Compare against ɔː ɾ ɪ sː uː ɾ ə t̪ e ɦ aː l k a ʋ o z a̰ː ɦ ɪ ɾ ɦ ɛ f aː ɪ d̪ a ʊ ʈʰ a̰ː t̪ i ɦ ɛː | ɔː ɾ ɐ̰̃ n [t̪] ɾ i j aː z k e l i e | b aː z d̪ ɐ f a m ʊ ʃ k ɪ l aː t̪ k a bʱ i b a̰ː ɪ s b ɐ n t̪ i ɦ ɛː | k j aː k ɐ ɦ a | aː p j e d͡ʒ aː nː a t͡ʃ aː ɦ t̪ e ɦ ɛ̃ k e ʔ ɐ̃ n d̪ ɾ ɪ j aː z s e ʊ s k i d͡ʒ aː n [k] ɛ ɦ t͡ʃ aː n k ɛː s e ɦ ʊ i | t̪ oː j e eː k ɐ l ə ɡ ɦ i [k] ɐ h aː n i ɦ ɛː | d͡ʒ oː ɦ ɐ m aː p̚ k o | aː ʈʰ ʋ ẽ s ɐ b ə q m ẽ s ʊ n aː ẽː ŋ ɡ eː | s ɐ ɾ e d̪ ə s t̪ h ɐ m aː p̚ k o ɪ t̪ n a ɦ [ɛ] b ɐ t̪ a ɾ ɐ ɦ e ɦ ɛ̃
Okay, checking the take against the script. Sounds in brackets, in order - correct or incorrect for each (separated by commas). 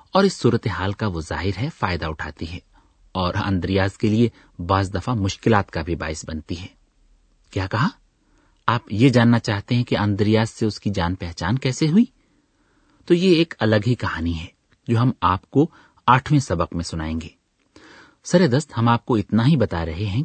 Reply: incorrect, incorrect, correct, incorrect